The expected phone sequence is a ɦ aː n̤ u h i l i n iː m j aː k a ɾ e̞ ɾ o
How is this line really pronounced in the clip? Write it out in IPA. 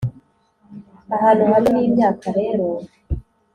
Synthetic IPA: a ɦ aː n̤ u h a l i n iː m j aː k a ɾ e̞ ɾ o